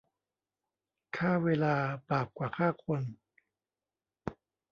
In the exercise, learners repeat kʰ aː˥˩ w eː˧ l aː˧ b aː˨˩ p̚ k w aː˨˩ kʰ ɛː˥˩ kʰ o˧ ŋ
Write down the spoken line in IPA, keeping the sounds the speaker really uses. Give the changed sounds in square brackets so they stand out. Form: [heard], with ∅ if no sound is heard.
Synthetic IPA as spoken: kʰ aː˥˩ w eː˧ l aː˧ b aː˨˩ p̚ k w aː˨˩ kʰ [aː˥˩] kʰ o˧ [n]